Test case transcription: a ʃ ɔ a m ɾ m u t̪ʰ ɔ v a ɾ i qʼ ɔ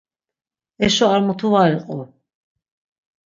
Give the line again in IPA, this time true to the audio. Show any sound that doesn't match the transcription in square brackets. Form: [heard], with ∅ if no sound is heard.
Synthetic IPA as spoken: [ɛ] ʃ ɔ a [∅] ɾ m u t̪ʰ [u] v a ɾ i qʼ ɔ